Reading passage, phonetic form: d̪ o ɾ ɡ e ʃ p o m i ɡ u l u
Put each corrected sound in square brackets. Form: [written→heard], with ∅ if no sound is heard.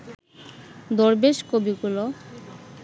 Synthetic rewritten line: d̪ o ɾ [ɡ→b] e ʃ [p→k] o [m→b] i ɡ u l [u→o]